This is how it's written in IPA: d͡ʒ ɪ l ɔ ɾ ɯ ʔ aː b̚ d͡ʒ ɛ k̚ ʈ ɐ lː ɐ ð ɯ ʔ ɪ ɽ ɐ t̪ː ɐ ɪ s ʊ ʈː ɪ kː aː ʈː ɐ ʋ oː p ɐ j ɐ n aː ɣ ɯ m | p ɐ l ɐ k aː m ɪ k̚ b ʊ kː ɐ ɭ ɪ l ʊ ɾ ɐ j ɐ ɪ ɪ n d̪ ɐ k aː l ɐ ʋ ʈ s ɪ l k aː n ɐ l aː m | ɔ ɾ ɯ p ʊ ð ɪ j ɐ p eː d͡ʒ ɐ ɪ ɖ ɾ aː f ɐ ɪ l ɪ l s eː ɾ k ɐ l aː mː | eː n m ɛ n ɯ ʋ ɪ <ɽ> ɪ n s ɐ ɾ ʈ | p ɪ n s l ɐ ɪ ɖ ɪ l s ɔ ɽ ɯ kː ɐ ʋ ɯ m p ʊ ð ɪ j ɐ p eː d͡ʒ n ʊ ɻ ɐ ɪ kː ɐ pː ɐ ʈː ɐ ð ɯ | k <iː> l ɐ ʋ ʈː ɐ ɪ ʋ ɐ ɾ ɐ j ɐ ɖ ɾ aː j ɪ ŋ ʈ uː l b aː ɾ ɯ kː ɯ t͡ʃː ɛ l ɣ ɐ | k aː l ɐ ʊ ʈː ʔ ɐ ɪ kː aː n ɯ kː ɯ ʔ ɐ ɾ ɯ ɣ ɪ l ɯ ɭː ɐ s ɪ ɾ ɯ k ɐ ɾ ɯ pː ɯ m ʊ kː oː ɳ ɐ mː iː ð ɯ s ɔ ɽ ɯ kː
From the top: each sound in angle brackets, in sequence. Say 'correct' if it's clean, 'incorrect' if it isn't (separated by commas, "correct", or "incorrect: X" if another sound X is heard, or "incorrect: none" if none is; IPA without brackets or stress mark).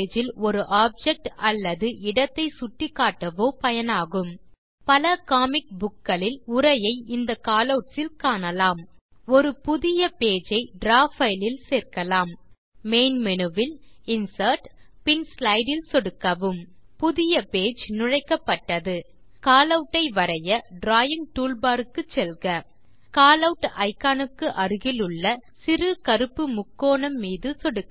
incorrect: l, incorrect: aː